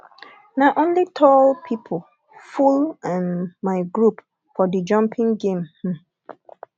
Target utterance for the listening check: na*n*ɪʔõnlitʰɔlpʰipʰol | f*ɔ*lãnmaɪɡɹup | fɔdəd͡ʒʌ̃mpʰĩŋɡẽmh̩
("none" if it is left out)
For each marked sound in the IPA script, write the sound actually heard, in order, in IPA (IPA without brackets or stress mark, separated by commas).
none, u